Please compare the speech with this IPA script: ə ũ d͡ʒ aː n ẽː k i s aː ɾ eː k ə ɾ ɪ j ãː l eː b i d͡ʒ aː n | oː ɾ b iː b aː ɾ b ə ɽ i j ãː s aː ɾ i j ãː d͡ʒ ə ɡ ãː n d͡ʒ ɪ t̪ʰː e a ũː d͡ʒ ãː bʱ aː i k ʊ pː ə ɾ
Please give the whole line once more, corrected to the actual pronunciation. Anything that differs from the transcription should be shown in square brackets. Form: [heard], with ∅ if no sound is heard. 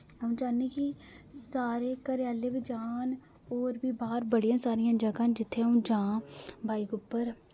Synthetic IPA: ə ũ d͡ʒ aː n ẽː k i s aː ɾ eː k ə ɾ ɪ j [aː] l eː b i d͡ʒ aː n | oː ɾ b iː b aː ɾ b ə ɽ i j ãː s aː ɾ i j ãː d͡ʒ ə ɡ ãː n d͡ʒ ɪ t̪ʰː e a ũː d͡ʒ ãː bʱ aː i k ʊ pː ə ɾ